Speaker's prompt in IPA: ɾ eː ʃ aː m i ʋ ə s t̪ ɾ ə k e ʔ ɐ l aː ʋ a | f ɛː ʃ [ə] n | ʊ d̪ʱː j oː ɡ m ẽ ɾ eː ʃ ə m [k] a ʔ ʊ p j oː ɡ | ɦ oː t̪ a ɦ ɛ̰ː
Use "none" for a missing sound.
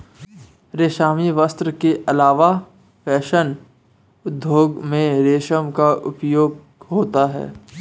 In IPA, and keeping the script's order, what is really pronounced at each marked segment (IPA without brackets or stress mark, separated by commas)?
ə, k